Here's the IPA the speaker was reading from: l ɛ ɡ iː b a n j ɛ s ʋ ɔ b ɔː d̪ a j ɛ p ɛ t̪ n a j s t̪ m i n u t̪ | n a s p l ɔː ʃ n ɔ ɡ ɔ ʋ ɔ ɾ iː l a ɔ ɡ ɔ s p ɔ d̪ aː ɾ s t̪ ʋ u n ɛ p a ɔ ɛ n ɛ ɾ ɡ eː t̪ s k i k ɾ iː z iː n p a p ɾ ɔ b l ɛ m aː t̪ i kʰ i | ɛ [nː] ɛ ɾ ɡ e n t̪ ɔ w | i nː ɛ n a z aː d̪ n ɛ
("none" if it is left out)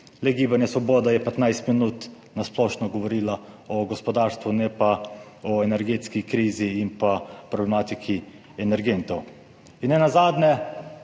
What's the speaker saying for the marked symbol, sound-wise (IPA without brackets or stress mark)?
n